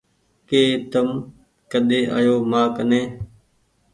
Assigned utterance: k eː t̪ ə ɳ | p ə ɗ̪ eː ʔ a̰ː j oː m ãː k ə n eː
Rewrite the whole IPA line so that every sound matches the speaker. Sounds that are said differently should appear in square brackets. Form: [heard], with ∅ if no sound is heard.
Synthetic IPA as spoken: k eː t̪ ə [m] | [k] ə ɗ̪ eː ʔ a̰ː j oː m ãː k ə n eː